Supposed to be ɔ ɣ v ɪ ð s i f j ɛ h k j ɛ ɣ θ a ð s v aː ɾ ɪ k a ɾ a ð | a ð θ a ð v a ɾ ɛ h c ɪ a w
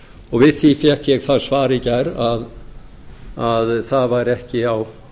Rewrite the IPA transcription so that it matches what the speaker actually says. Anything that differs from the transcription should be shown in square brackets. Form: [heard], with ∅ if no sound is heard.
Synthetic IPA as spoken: ɔ ɣ v ɪ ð [θ] i f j ɛ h k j ɛ ɣ θ a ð s v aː ɾ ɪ [c] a ɾ a ð | a ð θ a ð v a ɾ ɛ h c ɪ a w